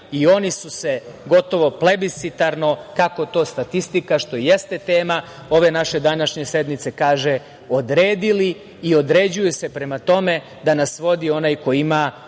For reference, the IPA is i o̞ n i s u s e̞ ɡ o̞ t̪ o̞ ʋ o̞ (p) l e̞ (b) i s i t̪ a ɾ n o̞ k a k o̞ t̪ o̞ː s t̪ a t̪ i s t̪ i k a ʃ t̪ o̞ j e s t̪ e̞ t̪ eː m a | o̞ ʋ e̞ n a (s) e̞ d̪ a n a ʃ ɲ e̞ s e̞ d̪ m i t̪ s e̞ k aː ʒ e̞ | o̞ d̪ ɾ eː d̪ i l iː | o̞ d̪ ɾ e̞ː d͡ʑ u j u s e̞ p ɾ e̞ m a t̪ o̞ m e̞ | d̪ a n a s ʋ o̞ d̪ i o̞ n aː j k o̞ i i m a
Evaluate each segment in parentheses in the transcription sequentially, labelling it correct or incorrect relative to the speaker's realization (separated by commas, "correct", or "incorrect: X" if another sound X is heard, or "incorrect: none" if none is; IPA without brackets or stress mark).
correct, correct, incorrect: ʃ